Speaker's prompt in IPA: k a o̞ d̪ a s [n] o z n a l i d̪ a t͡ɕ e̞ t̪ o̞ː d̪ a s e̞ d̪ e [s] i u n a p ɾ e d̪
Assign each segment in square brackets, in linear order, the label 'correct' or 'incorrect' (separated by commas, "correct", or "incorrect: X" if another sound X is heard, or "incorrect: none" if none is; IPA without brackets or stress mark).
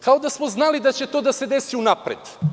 incorrect: m, correct